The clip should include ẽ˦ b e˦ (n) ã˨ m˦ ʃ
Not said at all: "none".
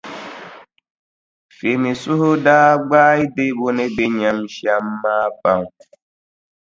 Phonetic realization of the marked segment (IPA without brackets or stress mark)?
ɲ